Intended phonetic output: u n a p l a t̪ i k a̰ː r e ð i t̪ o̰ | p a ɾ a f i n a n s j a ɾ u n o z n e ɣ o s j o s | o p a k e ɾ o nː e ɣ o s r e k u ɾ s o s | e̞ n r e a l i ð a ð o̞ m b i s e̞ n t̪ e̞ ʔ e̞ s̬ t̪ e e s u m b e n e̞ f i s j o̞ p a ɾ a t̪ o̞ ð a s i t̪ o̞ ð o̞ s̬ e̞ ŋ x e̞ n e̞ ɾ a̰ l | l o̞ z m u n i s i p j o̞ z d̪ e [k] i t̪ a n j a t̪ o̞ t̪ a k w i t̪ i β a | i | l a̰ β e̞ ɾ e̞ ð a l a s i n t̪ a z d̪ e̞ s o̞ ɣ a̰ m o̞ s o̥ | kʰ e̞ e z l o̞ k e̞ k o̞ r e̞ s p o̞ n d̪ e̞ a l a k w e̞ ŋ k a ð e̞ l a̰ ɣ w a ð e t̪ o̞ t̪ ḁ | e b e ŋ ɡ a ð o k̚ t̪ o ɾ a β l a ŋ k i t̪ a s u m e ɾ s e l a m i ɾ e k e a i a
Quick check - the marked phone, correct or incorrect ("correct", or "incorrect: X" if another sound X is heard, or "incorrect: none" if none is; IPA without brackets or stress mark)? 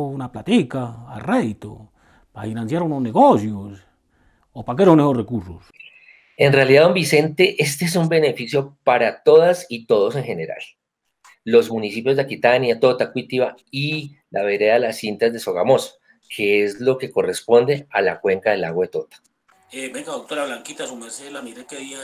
correct